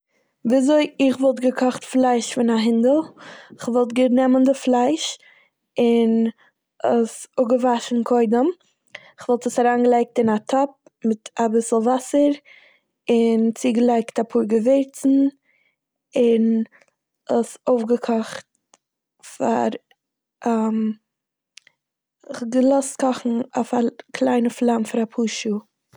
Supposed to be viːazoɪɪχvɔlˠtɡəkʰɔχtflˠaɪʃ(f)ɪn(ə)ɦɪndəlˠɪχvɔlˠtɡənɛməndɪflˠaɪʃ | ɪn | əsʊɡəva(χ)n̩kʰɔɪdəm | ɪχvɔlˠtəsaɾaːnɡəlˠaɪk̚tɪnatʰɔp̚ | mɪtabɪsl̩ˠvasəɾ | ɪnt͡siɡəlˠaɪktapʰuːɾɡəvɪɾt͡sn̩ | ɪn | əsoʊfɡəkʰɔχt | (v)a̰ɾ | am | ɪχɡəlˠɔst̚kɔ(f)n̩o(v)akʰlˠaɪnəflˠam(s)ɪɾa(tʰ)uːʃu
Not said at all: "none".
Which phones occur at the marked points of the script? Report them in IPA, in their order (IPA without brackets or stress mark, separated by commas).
f, a, ʃ, f, χ, f, f, pʰ